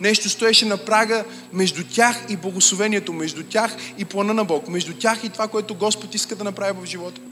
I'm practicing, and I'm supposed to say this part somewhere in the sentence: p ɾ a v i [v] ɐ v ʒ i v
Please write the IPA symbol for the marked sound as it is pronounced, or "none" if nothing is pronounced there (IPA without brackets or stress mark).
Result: v